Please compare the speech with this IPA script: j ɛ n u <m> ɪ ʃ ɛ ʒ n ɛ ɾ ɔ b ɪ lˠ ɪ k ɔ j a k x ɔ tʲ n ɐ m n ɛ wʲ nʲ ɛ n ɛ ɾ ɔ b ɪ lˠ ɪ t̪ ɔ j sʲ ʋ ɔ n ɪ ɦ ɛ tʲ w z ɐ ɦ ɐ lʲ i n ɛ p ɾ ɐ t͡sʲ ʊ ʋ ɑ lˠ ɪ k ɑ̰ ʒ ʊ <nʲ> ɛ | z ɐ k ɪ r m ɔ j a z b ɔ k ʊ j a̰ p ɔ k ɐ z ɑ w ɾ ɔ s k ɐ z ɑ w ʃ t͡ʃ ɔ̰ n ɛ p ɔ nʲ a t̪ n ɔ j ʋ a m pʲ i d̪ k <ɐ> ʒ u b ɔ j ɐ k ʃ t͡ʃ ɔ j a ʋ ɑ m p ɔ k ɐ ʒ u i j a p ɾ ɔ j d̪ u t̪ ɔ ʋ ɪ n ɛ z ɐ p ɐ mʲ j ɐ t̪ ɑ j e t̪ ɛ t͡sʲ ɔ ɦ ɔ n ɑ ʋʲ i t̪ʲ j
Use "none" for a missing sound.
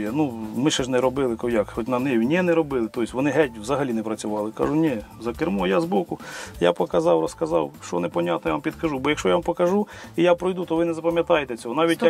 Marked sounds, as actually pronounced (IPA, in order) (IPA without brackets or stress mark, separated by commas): m, nʲ, ɐ